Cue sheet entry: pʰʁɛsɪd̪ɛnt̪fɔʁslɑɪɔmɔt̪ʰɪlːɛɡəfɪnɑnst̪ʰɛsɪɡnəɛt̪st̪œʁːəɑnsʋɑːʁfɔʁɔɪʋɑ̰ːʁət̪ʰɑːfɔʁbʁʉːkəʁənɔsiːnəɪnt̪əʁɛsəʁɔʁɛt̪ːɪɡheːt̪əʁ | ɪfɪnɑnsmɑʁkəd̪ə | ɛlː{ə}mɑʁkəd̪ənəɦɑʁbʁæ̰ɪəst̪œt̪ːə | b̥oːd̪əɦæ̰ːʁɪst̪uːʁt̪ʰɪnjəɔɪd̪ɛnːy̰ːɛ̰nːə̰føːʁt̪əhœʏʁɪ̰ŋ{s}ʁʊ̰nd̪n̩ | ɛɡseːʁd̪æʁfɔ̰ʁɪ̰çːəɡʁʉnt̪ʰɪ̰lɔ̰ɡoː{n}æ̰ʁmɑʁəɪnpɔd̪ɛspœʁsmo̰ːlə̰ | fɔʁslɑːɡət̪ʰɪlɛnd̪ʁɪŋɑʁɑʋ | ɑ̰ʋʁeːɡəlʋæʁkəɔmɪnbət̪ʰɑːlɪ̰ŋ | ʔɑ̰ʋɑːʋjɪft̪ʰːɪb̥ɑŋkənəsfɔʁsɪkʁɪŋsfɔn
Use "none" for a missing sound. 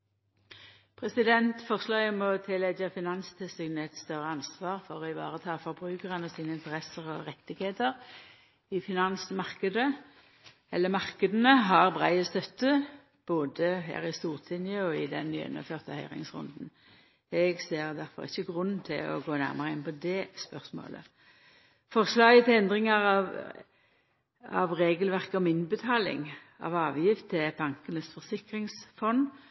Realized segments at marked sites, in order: ə, s, n

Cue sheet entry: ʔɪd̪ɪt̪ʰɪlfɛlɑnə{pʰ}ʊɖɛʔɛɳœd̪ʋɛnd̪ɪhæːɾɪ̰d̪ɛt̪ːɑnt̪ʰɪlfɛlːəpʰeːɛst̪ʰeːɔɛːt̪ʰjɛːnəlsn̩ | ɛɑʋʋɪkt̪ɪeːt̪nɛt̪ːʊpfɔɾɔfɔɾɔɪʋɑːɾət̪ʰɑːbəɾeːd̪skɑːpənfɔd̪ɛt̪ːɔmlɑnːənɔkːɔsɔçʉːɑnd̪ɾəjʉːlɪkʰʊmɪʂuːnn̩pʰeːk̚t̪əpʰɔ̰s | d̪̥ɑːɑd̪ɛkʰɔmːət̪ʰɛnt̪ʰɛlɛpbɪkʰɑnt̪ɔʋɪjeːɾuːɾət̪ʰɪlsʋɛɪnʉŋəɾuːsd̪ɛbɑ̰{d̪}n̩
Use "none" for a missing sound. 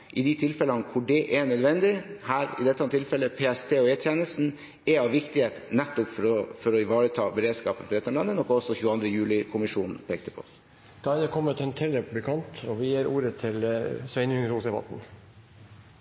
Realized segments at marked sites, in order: kʰ, t̪

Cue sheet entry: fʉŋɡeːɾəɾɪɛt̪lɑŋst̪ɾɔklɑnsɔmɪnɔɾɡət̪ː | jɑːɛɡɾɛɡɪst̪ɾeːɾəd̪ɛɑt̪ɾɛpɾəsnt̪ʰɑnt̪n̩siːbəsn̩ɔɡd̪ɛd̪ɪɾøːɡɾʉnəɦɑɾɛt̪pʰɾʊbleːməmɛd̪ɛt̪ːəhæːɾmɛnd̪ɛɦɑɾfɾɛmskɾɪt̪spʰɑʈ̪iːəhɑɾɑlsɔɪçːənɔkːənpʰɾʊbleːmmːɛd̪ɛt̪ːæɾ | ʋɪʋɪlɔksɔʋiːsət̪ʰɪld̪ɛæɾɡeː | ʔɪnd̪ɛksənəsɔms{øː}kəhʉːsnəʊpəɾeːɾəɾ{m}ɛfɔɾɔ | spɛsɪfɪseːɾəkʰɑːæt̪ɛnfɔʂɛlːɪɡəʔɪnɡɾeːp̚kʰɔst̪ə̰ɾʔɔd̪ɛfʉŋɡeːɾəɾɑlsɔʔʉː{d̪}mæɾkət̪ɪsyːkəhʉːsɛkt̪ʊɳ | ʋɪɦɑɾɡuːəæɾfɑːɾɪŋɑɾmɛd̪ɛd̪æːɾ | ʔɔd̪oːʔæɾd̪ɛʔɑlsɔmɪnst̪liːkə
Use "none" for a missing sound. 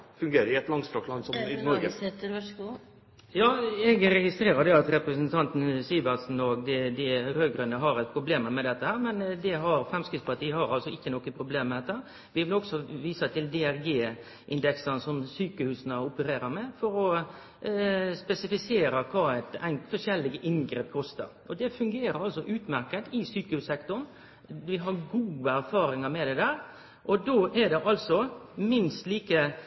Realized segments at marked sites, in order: yː, m, t̪

